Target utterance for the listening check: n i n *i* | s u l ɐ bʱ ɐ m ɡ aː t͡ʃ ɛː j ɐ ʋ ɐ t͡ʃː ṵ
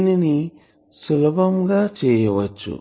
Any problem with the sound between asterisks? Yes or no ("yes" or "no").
no